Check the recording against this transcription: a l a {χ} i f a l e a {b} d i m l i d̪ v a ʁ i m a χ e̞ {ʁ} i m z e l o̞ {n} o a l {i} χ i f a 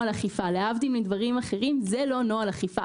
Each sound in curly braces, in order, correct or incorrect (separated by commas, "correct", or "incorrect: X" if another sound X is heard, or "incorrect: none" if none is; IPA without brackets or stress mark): correct, incorrect: v, correct, correct, incorrect: a